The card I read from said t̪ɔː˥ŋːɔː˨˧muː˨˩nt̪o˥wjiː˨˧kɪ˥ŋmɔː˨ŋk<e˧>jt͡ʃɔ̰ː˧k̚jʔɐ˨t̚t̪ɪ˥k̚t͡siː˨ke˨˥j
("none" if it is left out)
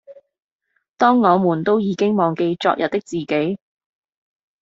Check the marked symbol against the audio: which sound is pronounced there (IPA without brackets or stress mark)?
e˧